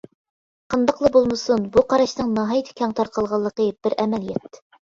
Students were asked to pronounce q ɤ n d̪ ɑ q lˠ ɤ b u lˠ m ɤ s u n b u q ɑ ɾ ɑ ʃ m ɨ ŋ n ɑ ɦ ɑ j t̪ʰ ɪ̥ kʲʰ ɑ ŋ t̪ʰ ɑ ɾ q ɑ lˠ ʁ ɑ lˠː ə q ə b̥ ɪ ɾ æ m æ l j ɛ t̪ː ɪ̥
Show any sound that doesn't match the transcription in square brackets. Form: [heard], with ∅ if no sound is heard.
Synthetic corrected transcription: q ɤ n d̪ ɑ q lˠ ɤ b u lˠ m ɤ s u n b u q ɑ ɾ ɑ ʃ [n] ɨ ŋ n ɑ ɦ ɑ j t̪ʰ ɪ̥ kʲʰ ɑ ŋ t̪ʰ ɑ ɾ q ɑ lˠ ʁ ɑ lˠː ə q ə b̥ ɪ ɾ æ m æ l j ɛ t̪ː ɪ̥